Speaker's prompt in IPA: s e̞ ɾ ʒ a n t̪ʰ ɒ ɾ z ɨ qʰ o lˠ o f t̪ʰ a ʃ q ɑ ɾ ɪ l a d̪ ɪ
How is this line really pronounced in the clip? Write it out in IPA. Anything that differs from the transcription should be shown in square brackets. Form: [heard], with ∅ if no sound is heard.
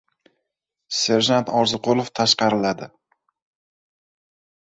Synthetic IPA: s e̞ ɾ ʒ a n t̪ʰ ɒ ɾ z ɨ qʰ o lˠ o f t̪ʰ a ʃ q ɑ ɾ ɪ l a d̪ ɪ